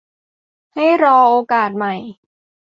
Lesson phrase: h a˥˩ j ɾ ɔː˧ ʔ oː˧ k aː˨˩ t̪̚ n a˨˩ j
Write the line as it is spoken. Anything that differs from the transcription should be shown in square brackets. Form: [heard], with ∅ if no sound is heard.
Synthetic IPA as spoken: h a˥˩ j ɾ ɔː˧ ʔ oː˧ k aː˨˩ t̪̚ [m] a˨˩ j